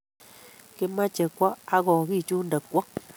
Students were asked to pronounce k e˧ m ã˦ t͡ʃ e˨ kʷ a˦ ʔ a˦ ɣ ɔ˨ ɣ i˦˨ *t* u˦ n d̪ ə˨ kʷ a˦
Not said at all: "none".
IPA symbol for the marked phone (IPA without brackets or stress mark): t͡ʃ